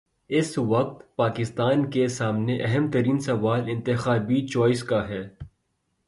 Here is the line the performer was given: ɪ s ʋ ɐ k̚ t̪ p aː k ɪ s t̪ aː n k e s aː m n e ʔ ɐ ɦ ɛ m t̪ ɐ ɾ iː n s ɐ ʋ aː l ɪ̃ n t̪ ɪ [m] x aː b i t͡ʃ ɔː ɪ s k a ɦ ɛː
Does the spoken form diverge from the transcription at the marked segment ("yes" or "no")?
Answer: yes